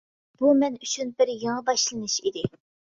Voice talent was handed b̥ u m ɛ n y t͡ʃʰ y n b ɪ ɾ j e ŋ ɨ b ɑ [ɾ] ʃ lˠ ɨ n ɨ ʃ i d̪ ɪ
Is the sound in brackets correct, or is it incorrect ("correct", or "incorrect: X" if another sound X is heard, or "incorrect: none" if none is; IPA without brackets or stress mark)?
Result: incorrect: none